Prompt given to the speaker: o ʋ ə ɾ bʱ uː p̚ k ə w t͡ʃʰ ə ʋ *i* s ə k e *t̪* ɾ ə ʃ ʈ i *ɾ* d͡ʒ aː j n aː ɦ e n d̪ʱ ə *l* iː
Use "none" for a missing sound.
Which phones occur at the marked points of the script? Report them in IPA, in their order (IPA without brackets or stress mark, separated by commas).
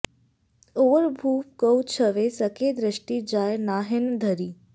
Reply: e, d̪, none, ɾ